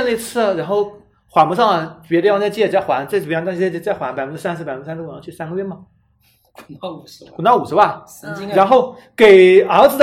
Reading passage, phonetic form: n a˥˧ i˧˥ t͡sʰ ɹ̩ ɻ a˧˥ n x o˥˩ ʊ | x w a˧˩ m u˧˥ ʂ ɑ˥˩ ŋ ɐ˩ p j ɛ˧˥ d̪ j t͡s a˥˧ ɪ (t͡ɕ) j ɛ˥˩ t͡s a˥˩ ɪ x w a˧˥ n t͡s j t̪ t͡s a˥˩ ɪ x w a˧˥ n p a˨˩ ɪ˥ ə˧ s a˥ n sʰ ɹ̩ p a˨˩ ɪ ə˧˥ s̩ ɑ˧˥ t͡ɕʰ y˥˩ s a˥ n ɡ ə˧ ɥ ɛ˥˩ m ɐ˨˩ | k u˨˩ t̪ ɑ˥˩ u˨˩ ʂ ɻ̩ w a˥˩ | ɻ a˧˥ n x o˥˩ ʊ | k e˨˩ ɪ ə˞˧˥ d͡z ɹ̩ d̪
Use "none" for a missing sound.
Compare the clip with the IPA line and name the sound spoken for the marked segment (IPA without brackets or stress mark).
t͡ɕ